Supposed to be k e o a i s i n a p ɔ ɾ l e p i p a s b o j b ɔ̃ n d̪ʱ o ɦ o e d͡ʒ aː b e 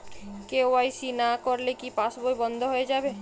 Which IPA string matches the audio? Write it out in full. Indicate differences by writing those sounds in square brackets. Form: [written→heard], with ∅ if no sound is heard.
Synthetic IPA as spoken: k e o a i s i n a [p→k] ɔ ɾ l e [p→k] i p a s b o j b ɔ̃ n d̪ʱ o ɦ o e d͡ʒ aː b e